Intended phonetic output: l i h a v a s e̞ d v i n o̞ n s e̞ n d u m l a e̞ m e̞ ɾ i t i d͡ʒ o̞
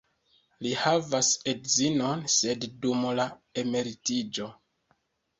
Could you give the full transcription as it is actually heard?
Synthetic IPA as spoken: l i h a v a s e̞ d z i n o̞ n s e̞ d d u m l a e̞ m e̞ ɾ i t i d͡ʒ o̞

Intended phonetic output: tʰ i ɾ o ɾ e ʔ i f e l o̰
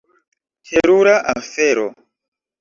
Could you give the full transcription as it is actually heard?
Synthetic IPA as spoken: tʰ e ɾ u ɾ a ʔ a f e ɾ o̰

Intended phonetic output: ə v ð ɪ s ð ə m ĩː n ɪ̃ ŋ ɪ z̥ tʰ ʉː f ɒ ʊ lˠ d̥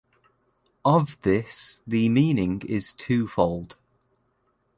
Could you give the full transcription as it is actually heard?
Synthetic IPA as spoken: ə v ð ɪ s ð ə m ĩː n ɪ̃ ŋ ɪ z̥ tʰ ʉː f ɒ ʊ lˠ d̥

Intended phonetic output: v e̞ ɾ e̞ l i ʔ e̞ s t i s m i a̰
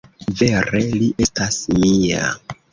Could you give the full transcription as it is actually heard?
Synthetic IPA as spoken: v e̞ ɾ e̞ l i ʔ e̞ s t a s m i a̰

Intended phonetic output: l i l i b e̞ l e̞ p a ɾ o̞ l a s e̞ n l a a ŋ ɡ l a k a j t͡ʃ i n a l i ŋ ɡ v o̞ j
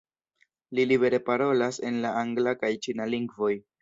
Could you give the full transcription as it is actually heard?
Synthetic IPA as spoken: l i l i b e̞ ɾ e̞ p a ɾ o̞ l a s e̞ n l a a ŋ ɡ l a k a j t͡ʃ i n a l i ŋ ɡ v o̞ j

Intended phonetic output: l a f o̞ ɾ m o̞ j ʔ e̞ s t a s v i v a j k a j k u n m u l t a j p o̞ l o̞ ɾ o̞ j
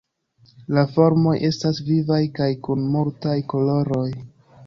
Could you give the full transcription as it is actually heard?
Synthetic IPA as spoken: l a f o̞ ɾ m o̞ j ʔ e̞ s t a s v i v a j k a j k u n m u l t a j k o̞ l o̞ ɾ o̞ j

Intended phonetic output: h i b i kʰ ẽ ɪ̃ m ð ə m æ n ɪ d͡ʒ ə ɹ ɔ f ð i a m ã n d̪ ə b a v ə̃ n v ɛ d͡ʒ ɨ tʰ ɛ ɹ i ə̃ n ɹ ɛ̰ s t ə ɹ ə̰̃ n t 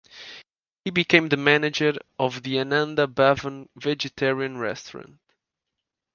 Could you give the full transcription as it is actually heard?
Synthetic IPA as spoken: h i b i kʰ ẽ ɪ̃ m ð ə m æ n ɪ d͡ʒ ə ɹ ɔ v ð i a n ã n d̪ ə b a v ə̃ n v ɛ d͡ʒ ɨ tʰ ɛ ɹ i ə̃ n ɹ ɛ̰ s t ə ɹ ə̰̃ n t

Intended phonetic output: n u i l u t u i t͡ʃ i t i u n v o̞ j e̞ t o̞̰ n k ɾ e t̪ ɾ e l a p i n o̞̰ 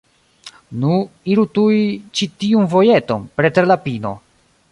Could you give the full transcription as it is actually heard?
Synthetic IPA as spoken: n u i ɾ u t u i t͡ʃ i t i u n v o̞ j e̞ t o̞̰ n p ɾ e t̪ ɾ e l a p i n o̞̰

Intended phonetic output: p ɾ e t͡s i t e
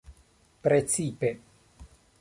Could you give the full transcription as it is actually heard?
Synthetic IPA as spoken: p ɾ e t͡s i p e

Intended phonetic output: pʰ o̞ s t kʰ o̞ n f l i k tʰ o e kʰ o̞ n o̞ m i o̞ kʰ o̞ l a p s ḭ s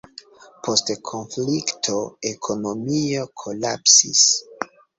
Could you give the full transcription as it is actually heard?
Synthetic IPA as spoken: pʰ o̞ s t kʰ o̞ n f l i k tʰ o e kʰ o̞ n o̞ m i o̞ kʰ o̞ l a p s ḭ s

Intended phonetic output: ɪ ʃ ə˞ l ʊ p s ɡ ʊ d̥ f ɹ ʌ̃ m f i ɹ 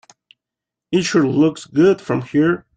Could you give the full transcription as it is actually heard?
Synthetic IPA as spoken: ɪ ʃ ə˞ l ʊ k s ɡ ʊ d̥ f ɹ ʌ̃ m h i ɹ

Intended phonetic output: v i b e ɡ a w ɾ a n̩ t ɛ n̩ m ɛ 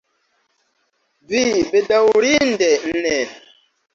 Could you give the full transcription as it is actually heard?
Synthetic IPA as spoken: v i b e d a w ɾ i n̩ d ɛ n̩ n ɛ

